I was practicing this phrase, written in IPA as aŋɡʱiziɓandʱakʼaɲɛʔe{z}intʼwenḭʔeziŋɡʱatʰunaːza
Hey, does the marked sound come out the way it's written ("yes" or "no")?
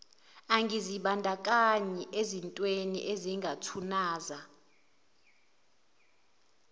yes